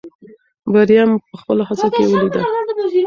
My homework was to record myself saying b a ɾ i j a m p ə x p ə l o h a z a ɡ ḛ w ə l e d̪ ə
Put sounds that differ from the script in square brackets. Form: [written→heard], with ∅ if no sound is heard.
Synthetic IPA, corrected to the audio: b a ɾ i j a m p ə x p ə l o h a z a [ɡ→k] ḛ w ə l [e→i] d̪ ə